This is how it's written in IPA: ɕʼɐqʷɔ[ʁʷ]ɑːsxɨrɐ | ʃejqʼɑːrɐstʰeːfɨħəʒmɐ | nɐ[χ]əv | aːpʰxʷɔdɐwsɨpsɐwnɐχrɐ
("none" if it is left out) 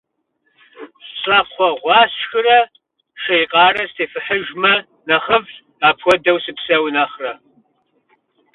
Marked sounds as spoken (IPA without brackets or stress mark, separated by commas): ʁʷ, χ